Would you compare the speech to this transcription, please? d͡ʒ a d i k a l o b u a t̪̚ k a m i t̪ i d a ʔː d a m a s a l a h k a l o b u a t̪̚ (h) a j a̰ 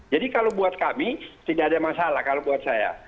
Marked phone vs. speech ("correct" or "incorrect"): incorrect